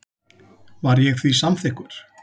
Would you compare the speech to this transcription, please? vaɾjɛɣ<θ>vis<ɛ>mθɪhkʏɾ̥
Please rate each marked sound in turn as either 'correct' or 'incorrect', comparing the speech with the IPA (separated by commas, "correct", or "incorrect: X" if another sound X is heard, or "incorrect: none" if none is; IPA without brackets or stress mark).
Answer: correct, incorrect: a